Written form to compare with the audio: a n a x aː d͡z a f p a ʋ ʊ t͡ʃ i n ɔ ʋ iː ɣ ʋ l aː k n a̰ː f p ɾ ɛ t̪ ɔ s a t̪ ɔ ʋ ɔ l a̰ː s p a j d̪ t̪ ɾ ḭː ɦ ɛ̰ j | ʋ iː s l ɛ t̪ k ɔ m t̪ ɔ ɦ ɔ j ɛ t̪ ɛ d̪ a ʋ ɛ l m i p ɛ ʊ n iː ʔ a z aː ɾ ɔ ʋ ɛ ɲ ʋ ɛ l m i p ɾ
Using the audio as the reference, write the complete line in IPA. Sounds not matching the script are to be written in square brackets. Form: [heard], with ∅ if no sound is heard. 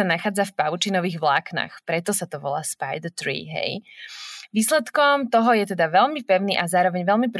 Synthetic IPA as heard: a n a x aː d͡z a f p a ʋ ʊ t͡ʃ i n ɔ ʋ iː ɣ ʋ l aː k n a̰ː [x] p ɾ ɛ t̪ ɔ s a t̪ ɔ ʋ ɔ l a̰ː s p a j d̪ t̪ ɾ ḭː ɦ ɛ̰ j | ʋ iː s l ɛ t̪ k ɔ m t̪ ɔ ɦ ɔ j ɛ t̪ ɛ d̪ a ʋ ɛ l m i p ɛ ʊ n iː ʔ a z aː ɾ ɔ ʋ ɛ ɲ ʋ ɛ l m i p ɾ